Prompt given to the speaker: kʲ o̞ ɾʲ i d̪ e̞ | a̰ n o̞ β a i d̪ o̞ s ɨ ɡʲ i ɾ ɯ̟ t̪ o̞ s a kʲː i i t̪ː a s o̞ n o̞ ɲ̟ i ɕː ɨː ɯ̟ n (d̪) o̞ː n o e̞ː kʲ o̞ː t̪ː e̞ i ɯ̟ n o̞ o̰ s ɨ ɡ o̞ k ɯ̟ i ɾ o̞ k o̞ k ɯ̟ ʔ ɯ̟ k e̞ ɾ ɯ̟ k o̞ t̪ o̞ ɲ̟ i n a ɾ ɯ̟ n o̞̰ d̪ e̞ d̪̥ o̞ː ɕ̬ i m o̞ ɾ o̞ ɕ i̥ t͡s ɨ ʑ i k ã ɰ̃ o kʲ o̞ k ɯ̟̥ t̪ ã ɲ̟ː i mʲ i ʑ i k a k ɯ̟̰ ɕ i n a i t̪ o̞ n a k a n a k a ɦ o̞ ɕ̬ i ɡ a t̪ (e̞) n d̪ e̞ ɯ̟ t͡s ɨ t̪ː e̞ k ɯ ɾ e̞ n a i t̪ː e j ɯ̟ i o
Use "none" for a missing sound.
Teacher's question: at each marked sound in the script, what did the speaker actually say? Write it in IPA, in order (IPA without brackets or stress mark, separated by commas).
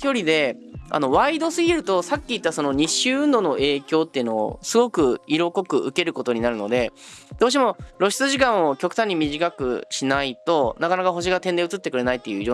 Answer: d̪, ẽ̞